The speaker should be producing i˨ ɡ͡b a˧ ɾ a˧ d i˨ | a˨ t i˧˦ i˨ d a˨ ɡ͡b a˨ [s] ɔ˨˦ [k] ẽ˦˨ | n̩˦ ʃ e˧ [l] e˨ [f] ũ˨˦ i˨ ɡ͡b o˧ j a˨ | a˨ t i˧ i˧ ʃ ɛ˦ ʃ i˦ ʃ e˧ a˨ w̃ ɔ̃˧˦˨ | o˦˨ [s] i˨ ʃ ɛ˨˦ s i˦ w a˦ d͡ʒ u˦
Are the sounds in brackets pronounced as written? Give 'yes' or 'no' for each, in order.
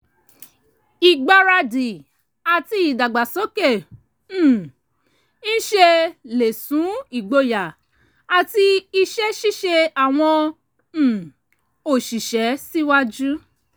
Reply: yes, yes, yes, no, no

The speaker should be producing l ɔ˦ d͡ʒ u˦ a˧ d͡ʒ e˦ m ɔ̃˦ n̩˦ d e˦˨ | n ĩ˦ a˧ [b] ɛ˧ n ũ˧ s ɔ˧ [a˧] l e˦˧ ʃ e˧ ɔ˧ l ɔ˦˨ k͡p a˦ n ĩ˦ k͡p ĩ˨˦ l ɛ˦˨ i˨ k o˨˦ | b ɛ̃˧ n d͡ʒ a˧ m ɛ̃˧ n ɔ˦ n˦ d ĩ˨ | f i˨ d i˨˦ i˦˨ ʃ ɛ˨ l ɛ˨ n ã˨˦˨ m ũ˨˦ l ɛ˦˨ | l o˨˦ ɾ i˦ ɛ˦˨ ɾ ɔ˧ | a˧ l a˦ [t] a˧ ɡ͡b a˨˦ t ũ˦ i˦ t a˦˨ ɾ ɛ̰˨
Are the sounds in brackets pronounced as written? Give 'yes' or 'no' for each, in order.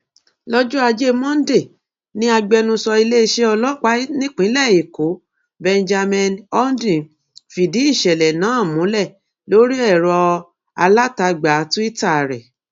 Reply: no, no, yes

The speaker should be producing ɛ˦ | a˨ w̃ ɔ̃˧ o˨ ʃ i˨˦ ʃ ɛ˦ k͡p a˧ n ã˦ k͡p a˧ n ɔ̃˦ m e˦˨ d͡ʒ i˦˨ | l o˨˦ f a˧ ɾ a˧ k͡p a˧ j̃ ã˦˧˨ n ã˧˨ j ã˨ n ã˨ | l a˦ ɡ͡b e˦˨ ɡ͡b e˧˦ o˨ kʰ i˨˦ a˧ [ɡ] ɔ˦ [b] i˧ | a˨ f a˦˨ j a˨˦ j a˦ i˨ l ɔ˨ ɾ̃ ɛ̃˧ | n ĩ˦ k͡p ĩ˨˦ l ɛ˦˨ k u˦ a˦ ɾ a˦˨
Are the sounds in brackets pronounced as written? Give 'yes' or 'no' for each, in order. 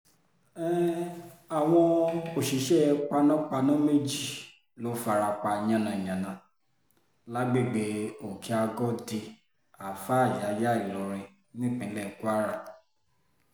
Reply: yes, no

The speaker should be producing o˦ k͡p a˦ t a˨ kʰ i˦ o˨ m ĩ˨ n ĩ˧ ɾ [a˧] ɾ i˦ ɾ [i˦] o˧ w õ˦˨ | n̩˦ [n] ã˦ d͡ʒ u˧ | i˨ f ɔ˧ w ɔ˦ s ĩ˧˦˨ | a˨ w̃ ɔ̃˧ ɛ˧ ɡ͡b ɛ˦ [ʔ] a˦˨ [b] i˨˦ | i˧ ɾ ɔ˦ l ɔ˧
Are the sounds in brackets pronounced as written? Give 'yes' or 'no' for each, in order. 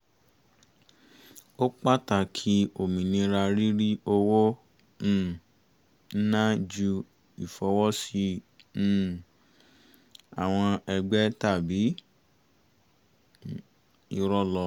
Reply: yes, yes, yes, no, yes

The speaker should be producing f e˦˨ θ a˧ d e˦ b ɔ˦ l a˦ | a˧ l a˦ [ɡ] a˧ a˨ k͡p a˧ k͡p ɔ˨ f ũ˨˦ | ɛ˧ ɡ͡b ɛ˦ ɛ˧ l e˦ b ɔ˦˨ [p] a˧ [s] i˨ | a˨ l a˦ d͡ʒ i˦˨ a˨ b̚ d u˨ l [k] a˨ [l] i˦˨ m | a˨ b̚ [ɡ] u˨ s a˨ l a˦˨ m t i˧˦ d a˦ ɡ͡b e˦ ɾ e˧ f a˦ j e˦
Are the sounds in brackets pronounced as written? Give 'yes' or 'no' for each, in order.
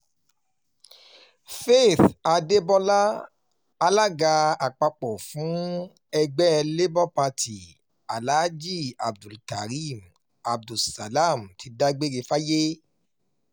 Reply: yes, yes, no, yes, no, no

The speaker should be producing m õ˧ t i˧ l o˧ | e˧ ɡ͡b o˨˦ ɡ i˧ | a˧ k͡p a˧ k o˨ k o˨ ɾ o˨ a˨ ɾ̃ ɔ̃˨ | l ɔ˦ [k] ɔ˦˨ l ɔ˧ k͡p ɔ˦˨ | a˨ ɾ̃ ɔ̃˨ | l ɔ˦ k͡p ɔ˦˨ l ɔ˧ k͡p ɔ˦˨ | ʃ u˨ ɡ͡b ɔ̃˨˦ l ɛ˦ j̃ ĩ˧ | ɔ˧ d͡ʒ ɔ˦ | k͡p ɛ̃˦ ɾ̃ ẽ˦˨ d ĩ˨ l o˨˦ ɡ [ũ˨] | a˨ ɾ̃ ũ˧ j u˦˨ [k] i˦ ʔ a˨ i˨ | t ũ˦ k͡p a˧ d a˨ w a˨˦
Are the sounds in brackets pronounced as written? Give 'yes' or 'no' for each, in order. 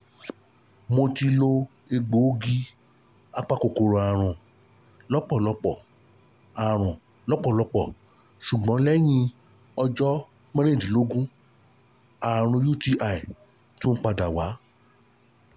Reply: no, no, no

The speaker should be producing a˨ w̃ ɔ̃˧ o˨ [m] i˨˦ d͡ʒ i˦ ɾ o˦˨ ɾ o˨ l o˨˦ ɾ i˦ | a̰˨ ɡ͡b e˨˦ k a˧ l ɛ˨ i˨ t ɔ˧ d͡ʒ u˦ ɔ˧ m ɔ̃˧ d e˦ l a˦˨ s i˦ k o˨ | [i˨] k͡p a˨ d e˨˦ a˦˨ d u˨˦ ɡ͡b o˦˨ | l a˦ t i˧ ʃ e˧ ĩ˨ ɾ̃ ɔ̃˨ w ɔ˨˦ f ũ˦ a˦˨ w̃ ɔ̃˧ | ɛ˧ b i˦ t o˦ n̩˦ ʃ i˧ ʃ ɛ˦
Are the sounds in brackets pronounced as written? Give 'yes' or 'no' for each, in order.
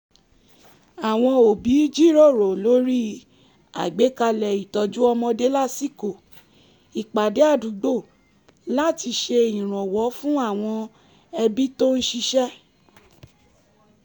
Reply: no, yes

